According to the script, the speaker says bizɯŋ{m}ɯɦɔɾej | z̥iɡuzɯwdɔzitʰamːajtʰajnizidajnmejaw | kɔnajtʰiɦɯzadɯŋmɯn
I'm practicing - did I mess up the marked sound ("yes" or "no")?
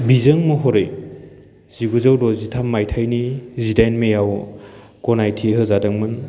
no